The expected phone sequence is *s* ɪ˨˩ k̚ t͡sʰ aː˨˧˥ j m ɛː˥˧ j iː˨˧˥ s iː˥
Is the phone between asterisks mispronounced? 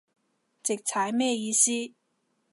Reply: yes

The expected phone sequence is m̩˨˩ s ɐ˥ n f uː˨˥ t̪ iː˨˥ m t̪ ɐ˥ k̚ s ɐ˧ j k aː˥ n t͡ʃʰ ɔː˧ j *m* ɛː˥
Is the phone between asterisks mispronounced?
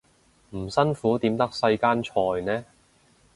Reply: yes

